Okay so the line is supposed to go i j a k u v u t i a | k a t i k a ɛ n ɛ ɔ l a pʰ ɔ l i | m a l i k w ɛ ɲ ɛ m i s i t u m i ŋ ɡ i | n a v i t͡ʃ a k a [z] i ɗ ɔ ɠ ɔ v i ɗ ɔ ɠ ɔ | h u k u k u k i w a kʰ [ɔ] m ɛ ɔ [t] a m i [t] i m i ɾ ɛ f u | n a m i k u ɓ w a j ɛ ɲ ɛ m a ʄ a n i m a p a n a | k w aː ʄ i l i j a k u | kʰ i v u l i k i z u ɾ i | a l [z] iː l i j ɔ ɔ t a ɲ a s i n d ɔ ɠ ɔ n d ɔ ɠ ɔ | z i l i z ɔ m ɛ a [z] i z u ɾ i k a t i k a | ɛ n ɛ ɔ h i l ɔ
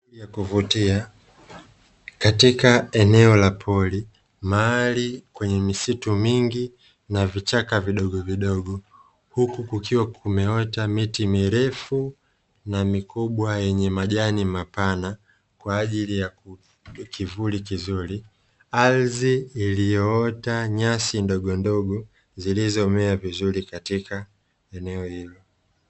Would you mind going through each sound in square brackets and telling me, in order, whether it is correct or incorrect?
incorrect, incorrect, correct, correct, correct, incorrect

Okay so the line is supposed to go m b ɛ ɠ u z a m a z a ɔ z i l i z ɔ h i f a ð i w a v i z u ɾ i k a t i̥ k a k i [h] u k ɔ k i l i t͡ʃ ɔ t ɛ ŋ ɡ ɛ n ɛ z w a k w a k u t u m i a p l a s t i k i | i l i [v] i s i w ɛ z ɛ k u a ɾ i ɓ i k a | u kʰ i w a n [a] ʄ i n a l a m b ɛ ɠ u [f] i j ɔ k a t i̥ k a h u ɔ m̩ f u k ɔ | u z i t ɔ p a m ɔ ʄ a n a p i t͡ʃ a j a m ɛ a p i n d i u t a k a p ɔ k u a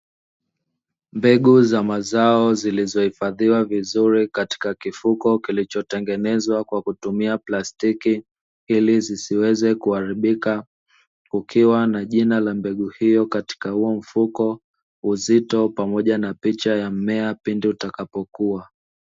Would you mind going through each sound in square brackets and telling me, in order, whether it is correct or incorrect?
incorrect, incorrect, correct, incorrect

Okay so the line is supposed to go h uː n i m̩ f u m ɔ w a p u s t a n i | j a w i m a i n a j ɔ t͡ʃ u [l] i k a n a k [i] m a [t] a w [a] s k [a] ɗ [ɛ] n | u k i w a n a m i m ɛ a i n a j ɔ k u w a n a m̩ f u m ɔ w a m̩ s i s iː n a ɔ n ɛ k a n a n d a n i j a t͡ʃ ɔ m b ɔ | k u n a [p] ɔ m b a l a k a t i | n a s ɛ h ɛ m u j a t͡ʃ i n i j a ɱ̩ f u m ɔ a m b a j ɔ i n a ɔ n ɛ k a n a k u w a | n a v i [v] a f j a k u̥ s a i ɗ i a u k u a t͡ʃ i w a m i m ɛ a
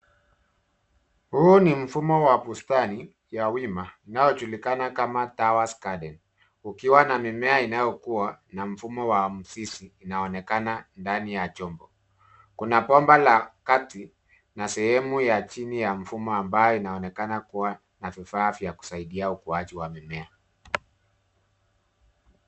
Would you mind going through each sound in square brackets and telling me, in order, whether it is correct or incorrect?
correct, incorrect, correct, correct, correct, correct, correct, incorrect

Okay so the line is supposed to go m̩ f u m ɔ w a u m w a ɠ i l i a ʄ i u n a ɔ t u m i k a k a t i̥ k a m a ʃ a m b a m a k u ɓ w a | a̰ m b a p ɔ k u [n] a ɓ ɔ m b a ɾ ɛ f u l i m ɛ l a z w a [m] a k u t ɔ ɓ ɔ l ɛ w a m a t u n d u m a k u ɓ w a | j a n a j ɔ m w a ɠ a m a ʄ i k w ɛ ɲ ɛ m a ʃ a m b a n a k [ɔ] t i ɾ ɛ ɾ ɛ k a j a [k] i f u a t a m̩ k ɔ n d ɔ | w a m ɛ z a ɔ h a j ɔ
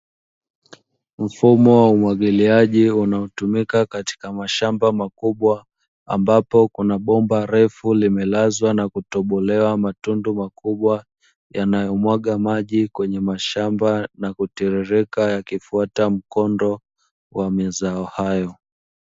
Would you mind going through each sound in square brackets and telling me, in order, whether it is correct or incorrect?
correct, incorrect, incorrect, correct

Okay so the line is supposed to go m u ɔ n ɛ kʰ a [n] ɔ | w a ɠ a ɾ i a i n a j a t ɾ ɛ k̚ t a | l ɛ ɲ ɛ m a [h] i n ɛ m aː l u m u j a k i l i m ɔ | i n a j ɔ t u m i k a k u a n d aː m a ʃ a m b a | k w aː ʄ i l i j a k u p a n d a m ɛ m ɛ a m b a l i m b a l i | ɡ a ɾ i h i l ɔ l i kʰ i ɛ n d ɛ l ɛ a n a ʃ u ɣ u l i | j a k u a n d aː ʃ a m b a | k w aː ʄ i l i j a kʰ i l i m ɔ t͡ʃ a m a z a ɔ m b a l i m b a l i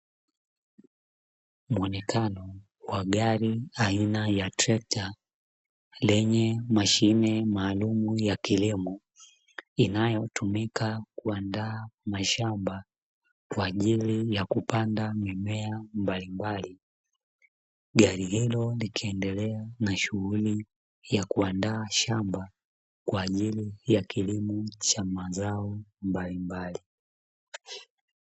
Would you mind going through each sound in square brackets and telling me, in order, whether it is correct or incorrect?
correct, incorrect

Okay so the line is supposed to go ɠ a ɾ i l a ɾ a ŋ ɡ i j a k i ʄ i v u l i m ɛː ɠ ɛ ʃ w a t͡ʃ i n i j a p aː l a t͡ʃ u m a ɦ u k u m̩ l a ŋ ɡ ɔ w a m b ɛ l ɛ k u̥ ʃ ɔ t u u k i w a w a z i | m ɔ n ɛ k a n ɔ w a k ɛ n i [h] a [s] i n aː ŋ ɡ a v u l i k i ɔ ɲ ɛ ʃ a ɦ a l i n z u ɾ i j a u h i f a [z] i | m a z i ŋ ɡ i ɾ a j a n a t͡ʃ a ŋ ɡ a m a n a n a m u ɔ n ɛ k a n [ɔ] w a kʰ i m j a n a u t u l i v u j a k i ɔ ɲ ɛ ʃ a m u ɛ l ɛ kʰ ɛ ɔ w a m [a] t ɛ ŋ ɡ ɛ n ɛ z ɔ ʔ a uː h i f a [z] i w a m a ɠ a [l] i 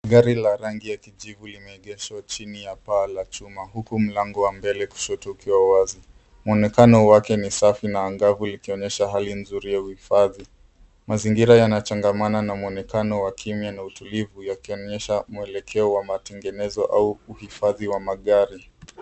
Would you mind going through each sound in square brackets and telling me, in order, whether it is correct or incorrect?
incorrect, incorrect, incorrect, correct, correct, incorrect, incorrect

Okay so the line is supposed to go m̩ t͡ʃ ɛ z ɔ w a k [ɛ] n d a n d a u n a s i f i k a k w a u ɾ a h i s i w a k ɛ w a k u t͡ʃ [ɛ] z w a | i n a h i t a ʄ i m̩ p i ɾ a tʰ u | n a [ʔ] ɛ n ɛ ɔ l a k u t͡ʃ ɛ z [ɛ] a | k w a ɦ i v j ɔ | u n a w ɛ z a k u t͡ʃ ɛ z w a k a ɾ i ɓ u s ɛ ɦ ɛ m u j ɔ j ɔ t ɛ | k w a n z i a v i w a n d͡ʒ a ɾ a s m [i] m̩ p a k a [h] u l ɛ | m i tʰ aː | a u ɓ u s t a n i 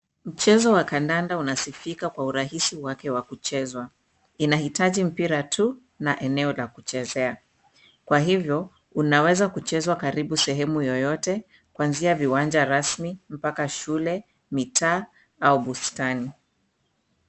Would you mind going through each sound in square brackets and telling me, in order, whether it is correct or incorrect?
incorrect, correct, correct, correct, correct, incorrect

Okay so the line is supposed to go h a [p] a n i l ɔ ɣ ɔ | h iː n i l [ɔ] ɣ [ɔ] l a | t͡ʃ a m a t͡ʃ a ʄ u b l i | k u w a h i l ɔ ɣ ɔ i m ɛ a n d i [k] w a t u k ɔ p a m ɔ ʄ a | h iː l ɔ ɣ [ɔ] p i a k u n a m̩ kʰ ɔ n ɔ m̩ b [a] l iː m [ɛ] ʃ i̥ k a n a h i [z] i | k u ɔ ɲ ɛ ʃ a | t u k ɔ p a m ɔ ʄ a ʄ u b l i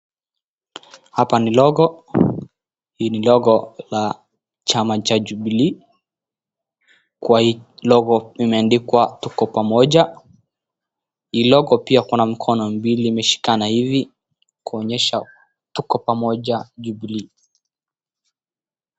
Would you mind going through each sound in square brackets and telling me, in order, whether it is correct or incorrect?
correct, correct, correct, correct, correct, incorrect, correct, incorrect

